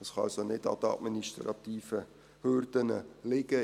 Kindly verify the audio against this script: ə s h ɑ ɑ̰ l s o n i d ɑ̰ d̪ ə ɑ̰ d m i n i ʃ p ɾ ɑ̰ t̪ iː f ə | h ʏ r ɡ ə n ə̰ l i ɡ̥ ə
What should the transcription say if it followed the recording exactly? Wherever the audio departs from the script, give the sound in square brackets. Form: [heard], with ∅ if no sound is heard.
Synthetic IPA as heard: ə s [χ] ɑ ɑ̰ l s o n [ɪ] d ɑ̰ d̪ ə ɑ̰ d m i n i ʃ [t] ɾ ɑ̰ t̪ iː f ə | h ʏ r [d] ə n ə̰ l [ɪ] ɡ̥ ə